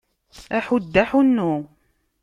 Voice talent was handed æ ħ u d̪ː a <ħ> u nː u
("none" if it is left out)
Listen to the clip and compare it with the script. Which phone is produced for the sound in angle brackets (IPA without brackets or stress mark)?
ħ